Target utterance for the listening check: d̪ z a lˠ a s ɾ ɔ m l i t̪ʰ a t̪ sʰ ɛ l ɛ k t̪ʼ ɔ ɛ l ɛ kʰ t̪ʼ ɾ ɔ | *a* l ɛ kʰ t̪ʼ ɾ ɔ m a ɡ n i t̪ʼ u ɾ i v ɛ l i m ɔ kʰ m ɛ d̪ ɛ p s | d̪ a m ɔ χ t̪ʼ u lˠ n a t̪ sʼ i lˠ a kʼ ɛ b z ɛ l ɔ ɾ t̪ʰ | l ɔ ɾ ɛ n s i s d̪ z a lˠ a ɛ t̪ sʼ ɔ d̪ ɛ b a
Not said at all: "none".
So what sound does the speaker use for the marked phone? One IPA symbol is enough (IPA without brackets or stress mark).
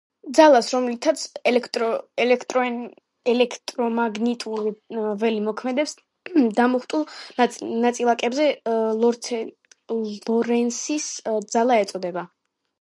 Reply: ɛ